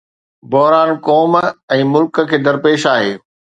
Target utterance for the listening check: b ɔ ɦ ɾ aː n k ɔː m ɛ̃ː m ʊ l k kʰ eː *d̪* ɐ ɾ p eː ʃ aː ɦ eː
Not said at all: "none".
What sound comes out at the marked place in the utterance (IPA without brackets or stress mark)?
d̪